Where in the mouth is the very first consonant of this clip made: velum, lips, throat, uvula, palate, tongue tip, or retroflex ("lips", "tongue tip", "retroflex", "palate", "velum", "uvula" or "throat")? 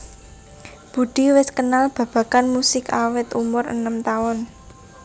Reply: lips